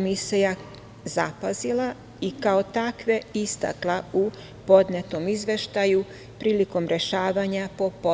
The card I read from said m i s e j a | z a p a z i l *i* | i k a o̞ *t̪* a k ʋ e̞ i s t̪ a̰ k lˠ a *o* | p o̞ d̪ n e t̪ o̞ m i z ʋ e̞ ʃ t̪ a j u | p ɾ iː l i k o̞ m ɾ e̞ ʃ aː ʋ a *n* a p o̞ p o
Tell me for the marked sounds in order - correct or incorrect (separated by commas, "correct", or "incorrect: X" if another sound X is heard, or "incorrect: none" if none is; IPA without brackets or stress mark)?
incorrect: a, correct, incorrect: u, incorrect: ɲ